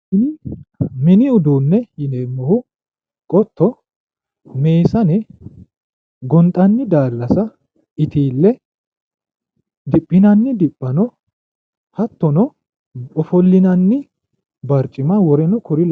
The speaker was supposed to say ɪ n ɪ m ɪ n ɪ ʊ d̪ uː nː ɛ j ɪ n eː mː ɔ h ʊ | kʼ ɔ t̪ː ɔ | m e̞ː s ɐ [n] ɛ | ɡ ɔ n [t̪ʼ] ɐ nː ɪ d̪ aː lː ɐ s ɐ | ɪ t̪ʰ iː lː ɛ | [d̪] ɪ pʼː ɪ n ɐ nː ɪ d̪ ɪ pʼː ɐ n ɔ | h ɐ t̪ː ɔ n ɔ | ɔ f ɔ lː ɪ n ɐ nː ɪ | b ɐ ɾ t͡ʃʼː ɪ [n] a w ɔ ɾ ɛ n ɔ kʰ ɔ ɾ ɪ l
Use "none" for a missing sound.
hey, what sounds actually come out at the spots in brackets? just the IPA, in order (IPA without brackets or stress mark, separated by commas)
n, t̪ʼ, d̪, m